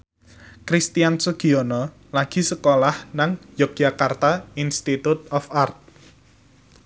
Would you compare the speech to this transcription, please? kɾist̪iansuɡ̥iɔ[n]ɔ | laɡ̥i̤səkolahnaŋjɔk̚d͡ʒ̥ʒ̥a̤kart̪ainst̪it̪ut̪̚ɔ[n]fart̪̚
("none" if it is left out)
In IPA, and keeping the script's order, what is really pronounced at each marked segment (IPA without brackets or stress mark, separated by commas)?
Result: n, none